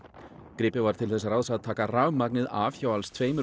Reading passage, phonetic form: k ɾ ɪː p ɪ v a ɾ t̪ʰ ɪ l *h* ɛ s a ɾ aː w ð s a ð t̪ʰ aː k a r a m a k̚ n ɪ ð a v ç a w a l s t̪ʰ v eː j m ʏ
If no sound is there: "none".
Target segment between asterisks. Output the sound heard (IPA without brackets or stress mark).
θ